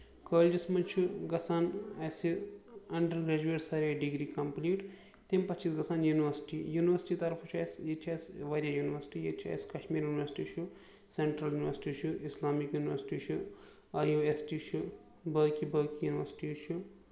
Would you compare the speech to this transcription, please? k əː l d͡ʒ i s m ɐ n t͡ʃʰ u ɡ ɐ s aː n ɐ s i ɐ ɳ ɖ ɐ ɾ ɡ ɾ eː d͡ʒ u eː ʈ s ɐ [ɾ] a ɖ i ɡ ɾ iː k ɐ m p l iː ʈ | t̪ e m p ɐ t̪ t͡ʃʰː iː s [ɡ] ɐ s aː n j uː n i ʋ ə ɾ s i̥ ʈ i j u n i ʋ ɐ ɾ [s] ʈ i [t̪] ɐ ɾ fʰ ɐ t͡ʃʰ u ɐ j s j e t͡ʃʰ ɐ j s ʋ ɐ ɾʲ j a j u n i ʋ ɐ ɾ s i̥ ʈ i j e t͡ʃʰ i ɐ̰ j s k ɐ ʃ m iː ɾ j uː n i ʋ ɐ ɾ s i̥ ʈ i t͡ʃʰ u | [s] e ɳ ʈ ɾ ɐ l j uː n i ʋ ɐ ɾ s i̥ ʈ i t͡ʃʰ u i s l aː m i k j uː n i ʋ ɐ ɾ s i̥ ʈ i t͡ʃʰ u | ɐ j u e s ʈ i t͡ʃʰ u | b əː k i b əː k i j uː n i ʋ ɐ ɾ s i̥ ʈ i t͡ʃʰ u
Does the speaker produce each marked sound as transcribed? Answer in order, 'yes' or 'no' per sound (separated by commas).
yes, yes, yes, yes, yes